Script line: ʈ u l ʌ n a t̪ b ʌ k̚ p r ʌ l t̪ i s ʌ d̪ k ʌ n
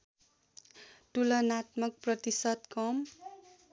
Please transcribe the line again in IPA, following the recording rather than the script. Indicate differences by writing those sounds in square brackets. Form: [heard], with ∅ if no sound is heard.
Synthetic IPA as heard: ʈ u l ʌ n a t̪ [m] ʌ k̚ p r ʌ [∅] t̪ i s ʌ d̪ k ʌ [m]